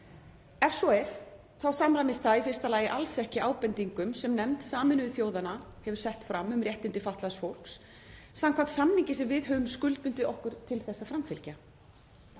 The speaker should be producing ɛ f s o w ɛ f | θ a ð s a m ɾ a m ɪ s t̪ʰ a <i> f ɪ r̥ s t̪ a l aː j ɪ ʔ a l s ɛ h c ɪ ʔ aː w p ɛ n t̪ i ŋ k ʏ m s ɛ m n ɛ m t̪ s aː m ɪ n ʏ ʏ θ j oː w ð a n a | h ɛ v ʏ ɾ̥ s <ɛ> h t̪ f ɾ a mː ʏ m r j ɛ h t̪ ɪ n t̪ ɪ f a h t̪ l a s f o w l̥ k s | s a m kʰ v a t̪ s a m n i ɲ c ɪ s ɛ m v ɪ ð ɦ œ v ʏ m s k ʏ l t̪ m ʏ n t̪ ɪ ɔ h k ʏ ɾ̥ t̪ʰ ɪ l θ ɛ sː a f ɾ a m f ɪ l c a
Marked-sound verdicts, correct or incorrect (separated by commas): correct, correct